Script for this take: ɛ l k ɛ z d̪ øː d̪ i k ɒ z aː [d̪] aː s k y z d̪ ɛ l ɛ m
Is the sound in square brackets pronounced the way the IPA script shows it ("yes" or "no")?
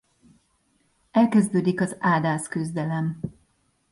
yes